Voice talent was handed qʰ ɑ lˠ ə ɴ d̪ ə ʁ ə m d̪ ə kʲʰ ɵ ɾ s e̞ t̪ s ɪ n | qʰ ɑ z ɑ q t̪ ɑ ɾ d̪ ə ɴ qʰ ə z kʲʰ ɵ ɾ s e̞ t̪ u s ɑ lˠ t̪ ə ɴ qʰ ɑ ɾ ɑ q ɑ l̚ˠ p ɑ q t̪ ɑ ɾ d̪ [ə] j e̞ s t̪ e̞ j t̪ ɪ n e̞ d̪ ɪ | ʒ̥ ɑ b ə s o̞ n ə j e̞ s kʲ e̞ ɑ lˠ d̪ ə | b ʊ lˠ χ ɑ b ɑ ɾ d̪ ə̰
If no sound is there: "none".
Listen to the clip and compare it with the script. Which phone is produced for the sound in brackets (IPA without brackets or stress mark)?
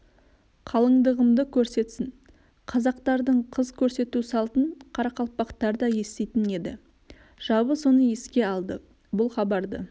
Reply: ɑ